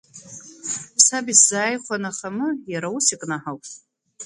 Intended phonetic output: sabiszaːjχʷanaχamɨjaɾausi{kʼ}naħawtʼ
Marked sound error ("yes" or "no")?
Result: no